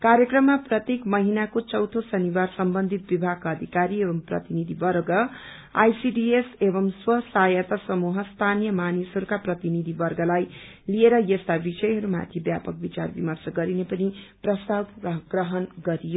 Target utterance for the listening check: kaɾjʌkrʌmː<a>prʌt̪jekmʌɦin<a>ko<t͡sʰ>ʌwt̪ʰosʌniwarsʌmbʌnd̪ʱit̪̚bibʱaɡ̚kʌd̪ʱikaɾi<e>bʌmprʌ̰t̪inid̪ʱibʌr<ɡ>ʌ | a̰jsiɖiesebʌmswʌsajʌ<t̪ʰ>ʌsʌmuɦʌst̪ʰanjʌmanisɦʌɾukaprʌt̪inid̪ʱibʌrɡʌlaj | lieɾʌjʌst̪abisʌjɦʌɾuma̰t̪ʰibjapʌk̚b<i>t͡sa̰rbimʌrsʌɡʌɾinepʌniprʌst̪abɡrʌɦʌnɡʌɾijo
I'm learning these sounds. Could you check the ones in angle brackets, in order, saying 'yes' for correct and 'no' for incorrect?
yes, yes, no, yes, yes, no, yes

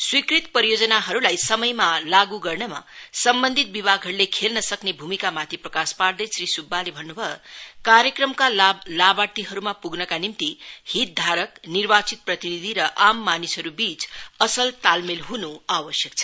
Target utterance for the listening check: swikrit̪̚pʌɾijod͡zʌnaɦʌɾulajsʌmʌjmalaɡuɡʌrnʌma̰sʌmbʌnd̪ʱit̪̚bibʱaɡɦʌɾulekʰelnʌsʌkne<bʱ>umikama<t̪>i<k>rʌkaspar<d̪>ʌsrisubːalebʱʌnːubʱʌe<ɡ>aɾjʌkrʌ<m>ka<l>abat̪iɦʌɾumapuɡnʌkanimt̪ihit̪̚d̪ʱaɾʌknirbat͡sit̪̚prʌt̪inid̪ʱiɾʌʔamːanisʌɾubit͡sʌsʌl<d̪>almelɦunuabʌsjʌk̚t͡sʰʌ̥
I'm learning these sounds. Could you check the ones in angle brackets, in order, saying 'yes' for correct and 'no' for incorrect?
yes, no, no, yes, no, yes, yes, no

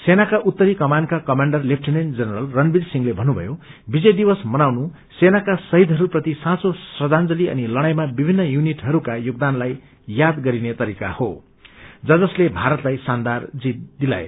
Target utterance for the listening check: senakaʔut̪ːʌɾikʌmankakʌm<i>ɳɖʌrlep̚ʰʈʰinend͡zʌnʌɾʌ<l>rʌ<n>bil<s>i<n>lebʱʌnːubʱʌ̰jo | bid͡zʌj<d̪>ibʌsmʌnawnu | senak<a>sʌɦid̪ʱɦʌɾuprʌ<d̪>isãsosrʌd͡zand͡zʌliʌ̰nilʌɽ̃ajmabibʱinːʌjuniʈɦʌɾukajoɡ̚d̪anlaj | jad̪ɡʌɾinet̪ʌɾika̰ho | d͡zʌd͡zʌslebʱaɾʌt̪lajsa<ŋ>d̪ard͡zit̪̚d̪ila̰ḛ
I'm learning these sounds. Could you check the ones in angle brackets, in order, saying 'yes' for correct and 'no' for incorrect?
no, yes, yes, yes, no, yes, yes, no, no

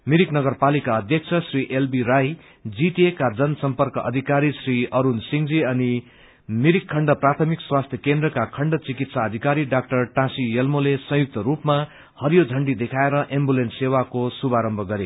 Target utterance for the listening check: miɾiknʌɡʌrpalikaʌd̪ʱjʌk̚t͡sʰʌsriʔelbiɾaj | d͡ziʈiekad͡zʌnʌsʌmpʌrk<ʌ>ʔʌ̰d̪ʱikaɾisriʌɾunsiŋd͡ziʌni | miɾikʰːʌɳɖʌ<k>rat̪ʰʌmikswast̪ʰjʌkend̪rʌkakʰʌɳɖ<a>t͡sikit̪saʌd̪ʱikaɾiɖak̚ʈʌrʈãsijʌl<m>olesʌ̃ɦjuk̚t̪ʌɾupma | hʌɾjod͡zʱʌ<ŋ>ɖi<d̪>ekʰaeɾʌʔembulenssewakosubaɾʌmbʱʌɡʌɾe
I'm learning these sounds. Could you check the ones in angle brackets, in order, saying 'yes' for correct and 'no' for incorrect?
yes, no, no, yes, no, yes

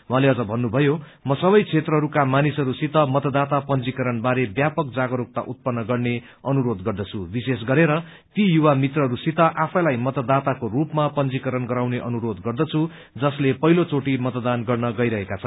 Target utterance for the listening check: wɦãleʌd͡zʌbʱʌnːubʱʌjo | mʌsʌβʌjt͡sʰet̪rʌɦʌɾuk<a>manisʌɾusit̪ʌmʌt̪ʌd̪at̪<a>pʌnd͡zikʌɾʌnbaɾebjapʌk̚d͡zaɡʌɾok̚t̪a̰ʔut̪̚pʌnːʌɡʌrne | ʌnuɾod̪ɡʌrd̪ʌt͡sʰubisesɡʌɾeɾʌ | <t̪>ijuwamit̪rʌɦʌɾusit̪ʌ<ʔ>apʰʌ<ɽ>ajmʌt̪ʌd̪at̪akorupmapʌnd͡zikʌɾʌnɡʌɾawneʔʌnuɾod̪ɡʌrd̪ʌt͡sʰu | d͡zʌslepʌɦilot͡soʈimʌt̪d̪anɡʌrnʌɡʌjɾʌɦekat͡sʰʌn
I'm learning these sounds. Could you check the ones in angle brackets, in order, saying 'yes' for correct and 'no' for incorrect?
yes, yes, yes, yes, no

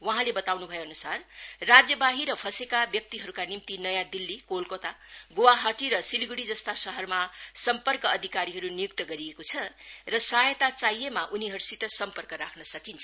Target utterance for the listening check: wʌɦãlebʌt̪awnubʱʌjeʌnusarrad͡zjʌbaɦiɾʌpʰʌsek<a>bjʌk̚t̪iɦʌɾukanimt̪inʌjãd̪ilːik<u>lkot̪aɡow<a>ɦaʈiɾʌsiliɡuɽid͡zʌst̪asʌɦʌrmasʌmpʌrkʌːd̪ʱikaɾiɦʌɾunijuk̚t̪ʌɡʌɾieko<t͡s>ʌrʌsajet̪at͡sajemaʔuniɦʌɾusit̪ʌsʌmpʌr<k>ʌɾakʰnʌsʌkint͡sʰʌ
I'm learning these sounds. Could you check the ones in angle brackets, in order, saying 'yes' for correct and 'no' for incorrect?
yes, no, yes, no, yes

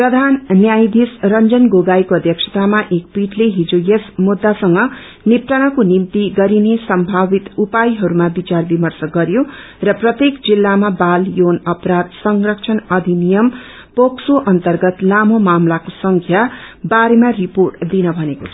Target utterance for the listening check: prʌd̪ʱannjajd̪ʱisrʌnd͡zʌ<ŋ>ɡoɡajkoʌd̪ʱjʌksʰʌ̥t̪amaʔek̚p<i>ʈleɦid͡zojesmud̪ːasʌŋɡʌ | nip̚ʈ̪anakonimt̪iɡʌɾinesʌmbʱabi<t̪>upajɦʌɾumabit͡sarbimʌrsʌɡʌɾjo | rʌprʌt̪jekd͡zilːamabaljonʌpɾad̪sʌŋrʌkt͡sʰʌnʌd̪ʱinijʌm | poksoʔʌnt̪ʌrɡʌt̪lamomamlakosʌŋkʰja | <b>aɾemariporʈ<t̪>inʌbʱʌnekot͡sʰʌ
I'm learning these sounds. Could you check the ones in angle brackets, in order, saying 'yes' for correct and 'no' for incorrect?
no, yes, yes, yes, no

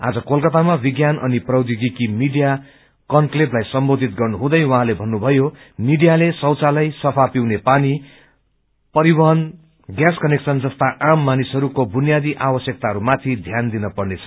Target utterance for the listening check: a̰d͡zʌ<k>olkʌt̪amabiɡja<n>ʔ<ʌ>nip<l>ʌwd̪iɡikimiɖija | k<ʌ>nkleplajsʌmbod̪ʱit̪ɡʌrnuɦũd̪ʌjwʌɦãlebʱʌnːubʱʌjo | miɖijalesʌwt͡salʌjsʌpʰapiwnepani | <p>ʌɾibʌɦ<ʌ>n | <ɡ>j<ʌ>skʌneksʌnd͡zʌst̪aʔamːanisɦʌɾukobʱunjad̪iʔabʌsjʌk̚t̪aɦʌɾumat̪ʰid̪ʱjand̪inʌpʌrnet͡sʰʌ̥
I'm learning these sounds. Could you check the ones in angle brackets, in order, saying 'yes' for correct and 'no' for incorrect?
yes, yes, yes, no, yes, yes, yes, yes, no

